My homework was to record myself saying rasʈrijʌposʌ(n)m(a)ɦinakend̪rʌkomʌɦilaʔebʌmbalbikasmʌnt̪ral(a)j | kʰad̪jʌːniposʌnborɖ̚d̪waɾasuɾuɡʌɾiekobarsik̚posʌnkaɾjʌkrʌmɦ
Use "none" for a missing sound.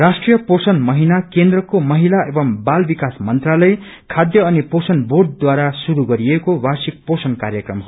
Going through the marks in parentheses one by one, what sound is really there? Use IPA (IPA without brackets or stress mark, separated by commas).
n, ʌ, ʌ